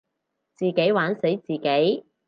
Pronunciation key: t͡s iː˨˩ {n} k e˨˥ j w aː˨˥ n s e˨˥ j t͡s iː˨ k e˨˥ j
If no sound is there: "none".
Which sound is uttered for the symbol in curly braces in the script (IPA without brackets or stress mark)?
none